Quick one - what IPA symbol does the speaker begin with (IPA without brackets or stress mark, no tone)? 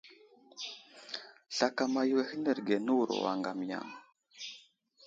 ɬ